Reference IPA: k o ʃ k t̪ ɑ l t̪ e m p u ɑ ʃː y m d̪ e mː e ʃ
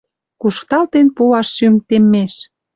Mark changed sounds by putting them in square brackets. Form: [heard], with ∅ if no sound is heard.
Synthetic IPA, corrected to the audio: k [u] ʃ k t̪ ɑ l t̪ e [n] p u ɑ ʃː y m [t̪] e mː e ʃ